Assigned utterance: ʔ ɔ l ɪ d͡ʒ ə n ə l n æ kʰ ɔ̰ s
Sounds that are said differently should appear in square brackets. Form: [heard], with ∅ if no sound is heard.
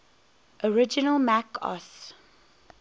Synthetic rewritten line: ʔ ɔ [ɹ] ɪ d͡ʒ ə n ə l [m] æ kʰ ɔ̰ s